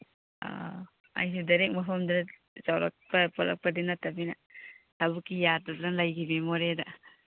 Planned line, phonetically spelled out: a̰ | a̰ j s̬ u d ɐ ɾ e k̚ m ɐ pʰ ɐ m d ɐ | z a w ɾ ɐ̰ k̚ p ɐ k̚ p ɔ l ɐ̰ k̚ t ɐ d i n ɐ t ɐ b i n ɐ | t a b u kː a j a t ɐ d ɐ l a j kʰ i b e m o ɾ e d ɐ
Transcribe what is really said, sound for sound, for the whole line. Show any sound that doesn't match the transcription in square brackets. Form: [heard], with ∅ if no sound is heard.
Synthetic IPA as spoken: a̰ | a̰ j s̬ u d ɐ ɾ e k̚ m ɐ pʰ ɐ m d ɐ | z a w ɾ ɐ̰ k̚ p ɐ [∅] p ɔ l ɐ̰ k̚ [p] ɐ d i n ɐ t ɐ b i n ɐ | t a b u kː [i] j a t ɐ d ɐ l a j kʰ i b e m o ɾ e d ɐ